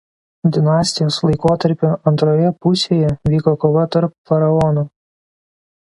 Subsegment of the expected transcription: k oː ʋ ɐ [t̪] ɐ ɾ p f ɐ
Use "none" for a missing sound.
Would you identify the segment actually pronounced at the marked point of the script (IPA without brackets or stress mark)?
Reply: t̪